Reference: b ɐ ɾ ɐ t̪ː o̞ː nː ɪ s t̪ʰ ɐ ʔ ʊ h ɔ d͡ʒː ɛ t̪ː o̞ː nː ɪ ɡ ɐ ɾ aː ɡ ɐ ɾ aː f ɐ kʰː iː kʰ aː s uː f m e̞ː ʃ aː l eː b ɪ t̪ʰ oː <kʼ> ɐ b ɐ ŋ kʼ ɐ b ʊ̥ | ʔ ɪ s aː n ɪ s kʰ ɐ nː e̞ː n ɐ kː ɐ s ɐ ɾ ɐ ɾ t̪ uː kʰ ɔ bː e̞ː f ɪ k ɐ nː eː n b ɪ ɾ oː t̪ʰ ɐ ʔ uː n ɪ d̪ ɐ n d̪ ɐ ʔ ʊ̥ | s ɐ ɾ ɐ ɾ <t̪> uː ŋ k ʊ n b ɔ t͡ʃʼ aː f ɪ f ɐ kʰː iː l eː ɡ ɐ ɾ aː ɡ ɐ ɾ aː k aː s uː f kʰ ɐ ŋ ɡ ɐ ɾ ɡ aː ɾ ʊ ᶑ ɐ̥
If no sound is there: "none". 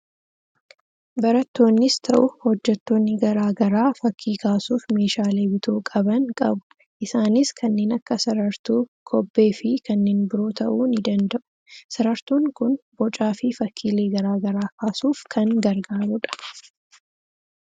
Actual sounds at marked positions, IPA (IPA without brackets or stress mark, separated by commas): kʼ, t̪